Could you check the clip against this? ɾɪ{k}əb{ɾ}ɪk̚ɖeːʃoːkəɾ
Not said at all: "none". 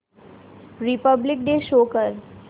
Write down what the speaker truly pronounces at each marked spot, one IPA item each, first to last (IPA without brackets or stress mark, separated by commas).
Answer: p, l